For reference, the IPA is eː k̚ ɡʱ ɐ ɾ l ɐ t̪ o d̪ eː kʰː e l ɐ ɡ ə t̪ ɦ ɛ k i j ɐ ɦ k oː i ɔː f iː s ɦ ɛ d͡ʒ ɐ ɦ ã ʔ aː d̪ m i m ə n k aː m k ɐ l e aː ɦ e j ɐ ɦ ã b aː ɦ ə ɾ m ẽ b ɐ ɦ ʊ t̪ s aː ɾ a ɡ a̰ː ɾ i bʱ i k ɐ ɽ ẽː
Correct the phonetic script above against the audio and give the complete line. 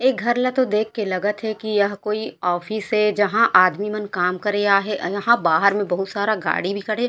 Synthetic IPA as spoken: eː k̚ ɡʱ ɐ ɾ l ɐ t̪ o d̪ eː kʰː e l ɐ ɡ ə t̪ ɦ ɛ k i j ɐ ɦ k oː i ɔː f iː s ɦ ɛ d͡ʒ ɐ ɦ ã ʔ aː d̪ m i m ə n k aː m k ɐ ɾ e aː ɦ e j ɐ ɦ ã b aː ɦ ə ɾ m ẽ b ɐ ɦ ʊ t̪ s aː ɾ a ɡ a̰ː ɽ i bʱ i k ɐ ɽ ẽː